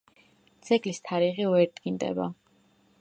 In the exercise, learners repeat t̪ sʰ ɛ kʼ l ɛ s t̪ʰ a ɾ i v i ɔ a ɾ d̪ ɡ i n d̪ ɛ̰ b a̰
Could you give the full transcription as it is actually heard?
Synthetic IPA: t̪ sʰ ɛ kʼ l i s t̪ʰ a ɾ i ʁ i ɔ ɛ ɾ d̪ ɡ i n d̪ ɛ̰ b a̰